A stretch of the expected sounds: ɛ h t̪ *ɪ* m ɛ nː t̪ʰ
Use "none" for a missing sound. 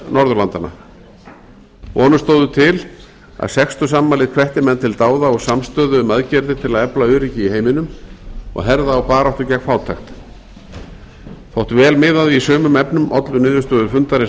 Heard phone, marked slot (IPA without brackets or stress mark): ɪ